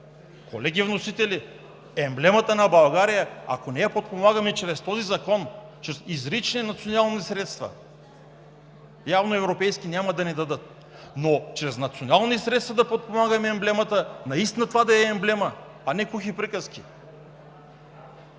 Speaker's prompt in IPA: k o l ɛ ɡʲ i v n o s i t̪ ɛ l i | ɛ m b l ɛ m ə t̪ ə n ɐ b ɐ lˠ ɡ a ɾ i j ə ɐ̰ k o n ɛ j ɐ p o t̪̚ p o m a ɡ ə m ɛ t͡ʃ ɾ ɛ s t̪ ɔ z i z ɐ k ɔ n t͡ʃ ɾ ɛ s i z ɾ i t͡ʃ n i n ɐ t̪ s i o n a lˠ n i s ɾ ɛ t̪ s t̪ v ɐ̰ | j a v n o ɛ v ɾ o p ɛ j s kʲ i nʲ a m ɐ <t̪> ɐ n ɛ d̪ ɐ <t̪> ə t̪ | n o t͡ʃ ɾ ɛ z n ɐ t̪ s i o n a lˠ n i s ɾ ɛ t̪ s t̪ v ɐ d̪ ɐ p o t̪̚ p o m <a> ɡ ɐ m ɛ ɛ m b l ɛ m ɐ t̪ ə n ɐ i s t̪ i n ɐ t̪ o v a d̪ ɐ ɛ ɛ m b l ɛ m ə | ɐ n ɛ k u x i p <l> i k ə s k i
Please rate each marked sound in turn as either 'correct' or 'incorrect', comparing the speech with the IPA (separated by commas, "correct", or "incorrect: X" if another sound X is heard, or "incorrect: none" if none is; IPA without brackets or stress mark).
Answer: incorrect: d̪, incorrect: d̪, correct, incorrect: ɾ